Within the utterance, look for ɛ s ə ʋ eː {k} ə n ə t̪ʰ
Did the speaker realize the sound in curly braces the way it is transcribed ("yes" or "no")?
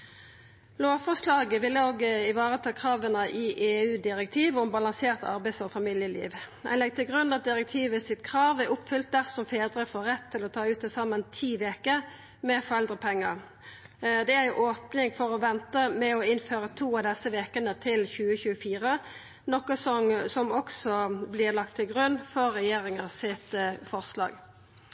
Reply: yes